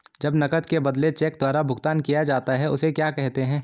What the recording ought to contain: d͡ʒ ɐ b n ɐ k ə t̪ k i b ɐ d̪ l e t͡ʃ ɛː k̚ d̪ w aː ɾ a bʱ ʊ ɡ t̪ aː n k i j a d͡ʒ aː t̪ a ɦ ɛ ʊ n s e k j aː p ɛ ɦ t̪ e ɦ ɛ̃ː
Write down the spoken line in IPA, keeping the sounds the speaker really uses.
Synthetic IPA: d͡ʒ ɐ b n ɐ k ə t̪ k e b ɐ d̪ l e t͡ʃ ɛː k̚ d̪ w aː ɾ a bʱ ʊ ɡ t̪ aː n k i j a d͡ʒ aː t̪ a ɦ ɛ ʊ s e k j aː k ɛ ɦ t̪ e ɦ ɛ̃ː